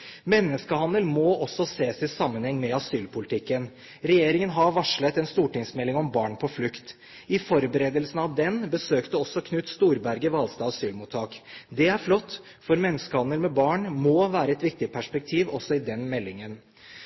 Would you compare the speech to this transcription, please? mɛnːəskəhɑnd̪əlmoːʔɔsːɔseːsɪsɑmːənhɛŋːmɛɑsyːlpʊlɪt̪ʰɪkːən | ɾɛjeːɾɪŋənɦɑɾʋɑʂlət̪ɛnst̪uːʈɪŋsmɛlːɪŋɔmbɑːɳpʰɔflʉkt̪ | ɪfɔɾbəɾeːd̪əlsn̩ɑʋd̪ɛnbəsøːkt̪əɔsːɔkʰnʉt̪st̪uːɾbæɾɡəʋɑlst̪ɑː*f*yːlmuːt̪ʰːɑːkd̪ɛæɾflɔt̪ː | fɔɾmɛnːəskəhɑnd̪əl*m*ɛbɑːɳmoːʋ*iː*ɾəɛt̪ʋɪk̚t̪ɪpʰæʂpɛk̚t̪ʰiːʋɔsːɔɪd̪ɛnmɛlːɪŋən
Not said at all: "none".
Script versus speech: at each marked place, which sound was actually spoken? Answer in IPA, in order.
s, m, æː

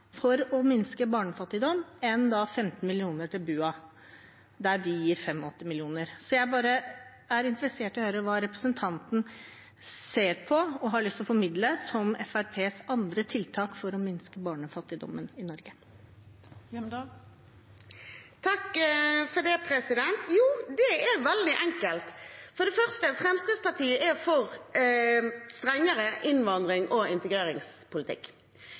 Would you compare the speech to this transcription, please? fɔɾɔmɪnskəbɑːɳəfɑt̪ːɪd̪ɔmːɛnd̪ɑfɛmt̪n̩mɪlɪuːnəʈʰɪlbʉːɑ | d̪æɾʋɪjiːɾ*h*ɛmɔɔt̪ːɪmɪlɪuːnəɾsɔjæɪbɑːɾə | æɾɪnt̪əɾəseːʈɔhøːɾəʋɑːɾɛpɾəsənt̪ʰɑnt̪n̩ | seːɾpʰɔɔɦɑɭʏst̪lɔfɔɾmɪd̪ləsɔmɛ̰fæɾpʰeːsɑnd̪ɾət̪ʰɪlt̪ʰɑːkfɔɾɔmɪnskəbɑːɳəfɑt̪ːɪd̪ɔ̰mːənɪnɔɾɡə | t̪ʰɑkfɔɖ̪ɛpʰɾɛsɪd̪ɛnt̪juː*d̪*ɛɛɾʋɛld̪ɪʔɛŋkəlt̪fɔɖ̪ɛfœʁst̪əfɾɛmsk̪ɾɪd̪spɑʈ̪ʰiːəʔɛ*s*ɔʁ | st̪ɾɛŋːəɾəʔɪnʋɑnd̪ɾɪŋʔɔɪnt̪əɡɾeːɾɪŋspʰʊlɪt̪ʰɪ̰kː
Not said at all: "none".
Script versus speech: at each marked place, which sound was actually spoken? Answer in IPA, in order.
f, d̪, f

